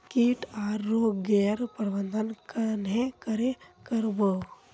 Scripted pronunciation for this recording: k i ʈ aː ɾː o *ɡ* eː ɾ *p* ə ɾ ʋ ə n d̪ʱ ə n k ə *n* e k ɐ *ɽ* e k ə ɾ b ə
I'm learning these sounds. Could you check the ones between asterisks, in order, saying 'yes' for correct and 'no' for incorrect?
yes, yes, yes, no

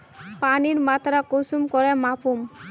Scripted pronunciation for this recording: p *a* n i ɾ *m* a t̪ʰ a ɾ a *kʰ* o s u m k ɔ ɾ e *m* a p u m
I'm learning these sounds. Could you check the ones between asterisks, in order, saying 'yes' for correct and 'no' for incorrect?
yes, yes, no, yes

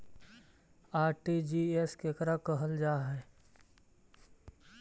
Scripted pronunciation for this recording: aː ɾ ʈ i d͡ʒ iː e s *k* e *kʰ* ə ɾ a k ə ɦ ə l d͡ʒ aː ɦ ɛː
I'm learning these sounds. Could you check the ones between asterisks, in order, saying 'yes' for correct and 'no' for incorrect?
yes, no

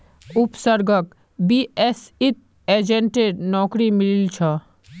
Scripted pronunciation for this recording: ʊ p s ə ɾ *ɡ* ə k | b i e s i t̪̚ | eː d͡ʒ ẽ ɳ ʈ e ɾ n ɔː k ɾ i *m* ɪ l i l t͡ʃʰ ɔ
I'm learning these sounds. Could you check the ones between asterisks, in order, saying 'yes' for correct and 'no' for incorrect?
yes, yes

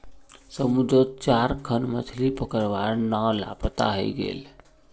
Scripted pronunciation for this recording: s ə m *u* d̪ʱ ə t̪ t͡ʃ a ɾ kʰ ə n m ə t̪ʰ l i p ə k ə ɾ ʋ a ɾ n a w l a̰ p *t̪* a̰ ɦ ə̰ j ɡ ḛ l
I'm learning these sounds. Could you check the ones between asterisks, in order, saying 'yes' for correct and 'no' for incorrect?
yes, yes

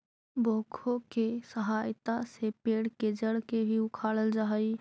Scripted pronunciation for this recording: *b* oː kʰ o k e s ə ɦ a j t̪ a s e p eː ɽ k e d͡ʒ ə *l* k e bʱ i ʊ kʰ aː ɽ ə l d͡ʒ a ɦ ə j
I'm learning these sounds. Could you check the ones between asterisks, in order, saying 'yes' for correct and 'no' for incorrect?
yes, no

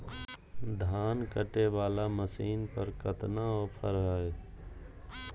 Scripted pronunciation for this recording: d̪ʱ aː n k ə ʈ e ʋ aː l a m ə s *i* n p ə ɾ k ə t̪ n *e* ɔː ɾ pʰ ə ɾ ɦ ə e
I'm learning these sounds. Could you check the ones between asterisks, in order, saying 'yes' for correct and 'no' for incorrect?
no, no

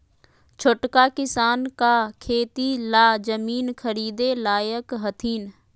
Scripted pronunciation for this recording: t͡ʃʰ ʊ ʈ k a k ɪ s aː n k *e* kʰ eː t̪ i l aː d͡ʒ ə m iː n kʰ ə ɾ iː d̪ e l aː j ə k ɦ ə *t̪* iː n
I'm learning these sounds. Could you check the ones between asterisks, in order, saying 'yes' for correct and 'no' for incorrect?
no, no

